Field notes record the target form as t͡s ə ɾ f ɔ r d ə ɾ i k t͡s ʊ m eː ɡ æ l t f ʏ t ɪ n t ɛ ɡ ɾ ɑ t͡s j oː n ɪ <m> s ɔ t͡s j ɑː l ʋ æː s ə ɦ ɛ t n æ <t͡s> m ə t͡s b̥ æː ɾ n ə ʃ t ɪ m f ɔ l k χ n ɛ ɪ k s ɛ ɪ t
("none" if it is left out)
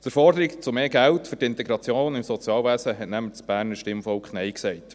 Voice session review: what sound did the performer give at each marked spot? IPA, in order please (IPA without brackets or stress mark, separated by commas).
m, none